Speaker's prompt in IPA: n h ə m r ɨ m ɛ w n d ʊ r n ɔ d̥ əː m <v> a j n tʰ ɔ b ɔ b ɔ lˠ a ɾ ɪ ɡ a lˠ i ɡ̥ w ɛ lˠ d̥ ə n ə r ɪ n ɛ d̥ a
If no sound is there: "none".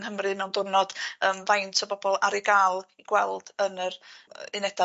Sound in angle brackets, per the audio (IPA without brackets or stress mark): v